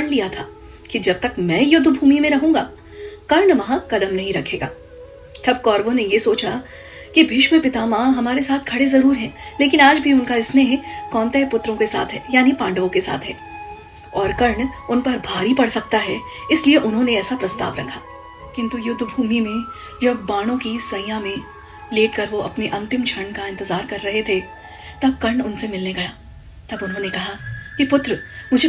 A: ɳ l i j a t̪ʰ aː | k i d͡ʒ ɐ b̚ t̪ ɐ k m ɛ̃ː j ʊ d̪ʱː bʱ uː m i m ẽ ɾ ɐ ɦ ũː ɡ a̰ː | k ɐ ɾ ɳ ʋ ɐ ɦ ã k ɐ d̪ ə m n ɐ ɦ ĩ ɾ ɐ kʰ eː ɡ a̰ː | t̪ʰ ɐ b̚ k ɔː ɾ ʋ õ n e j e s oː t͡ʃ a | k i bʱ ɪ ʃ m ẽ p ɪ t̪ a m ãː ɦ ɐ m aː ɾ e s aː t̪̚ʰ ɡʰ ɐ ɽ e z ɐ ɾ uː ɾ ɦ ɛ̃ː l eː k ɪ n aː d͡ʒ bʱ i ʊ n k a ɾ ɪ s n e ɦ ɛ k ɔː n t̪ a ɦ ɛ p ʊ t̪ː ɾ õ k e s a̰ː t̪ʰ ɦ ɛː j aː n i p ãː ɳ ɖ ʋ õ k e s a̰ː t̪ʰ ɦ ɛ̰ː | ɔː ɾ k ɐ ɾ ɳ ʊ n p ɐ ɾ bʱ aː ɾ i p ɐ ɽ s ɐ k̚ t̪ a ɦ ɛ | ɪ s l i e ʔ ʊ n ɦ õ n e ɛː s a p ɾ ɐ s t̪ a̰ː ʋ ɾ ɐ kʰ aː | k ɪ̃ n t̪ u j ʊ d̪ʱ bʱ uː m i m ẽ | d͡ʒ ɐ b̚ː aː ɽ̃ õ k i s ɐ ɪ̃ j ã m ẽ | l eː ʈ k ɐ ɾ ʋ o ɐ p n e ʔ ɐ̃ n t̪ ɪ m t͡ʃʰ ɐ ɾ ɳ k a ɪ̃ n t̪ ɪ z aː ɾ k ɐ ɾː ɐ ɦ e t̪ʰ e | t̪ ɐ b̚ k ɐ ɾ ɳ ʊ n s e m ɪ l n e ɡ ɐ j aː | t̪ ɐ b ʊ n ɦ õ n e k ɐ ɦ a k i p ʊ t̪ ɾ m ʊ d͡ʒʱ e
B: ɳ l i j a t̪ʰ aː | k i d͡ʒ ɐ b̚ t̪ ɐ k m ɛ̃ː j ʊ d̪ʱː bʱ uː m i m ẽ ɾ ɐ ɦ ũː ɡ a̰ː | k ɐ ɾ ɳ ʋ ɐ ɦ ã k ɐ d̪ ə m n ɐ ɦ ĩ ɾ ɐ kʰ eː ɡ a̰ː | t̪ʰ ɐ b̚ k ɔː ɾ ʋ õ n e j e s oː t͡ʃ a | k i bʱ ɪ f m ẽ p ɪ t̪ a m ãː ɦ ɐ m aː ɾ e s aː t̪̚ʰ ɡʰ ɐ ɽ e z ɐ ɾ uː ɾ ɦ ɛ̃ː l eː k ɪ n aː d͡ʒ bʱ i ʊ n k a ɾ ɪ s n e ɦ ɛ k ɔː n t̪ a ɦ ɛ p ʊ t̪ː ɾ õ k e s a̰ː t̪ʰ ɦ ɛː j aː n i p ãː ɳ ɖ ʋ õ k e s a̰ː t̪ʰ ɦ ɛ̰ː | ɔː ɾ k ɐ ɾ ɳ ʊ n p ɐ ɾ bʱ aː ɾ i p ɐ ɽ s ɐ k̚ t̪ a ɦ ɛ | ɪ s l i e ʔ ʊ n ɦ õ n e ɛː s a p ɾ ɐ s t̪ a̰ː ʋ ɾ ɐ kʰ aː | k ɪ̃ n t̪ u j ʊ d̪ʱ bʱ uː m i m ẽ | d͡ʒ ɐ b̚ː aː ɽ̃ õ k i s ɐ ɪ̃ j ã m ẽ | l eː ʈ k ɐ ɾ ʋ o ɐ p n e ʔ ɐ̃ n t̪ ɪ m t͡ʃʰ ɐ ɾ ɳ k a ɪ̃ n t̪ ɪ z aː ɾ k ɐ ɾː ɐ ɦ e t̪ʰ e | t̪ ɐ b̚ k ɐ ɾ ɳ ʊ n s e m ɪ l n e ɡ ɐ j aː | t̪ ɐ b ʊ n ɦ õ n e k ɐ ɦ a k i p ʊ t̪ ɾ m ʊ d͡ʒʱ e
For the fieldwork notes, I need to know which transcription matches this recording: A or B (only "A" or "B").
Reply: A